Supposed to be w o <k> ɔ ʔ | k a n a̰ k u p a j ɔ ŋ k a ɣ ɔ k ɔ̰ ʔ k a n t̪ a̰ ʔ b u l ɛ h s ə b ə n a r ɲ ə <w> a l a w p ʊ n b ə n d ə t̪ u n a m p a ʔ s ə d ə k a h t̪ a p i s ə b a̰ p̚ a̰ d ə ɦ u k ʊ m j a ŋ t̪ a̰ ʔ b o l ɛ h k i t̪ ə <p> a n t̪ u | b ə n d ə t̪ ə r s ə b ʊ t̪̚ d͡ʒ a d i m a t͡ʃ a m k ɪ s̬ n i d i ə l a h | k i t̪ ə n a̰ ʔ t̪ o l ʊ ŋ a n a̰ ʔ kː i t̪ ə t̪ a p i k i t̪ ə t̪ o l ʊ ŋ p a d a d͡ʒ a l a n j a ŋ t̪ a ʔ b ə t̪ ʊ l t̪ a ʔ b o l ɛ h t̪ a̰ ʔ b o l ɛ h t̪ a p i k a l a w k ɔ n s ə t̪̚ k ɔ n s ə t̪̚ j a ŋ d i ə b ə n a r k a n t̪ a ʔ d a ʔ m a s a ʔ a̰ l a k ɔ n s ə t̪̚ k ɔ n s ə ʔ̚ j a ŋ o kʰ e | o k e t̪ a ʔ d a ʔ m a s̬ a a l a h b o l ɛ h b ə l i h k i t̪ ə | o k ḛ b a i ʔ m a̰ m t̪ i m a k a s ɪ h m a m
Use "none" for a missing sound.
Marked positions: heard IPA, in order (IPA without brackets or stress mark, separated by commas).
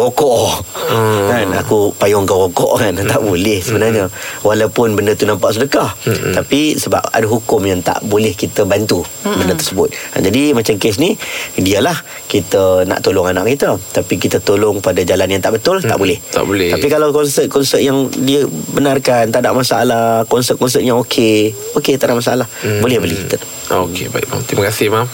k, w, b